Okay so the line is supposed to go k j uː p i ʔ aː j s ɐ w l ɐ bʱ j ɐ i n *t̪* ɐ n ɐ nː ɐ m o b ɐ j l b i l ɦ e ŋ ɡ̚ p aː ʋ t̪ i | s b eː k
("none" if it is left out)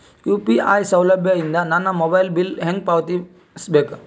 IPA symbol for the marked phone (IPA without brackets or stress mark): d̪